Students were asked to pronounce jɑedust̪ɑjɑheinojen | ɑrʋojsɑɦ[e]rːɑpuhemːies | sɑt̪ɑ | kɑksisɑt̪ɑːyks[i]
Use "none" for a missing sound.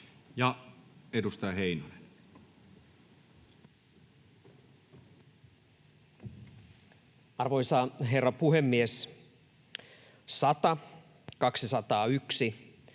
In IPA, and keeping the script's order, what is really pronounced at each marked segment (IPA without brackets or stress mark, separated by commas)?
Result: e, i